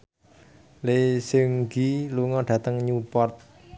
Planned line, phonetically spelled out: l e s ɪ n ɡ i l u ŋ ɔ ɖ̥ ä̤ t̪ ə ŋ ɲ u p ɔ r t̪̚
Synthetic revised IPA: l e s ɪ ŋ ɡ i l u ŋ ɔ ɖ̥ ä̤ t̪ ə ŋ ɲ u p ɔ r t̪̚